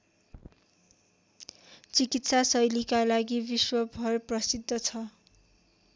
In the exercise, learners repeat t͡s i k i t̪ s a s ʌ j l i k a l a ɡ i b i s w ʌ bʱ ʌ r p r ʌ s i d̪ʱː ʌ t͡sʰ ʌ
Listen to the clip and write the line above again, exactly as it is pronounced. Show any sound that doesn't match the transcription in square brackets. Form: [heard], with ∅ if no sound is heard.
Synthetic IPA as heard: t͡s i k i t̪ s a s ʌ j l i k a l a ɡ i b i s w ʌ bʱ ʌ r p r ʌ s i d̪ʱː ʌ t͡sʰ ʌ